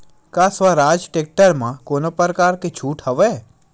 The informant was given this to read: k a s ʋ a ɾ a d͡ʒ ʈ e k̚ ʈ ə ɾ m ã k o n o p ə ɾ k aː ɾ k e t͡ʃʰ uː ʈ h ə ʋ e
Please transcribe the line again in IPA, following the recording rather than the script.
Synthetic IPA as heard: k a s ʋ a ɾ a d͡ʒ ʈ e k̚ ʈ ə ɾ m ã k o n o p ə ɾ k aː ɾ k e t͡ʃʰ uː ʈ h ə ʋ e